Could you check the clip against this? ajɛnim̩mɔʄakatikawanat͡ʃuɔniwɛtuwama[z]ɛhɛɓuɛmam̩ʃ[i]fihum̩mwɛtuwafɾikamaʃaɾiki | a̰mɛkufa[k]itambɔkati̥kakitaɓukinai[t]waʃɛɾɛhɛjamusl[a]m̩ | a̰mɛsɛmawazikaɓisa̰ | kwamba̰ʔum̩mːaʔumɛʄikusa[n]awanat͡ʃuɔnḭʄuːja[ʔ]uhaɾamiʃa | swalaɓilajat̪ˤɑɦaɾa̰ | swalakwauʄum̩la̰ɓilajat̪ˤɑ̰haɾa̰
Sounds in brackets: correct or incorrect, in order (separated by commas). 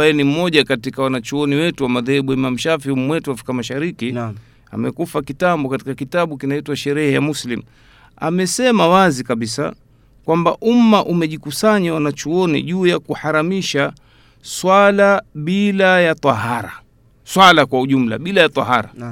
incorrect, incorrect, correct, correct, incorrect, incorrect, incorrect